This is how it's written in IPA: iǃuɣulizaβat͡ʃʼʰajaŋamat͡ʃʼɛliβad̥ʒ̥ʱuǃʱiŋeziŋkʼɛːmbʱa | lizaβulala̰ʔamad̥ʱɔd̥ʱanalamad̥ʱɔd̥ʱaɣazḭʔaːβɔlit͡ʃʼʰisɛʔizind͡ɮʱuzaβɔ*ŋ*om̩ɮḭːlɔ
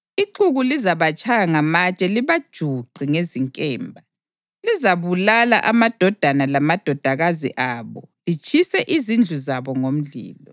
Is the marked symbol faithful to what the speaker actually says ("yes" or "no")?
yes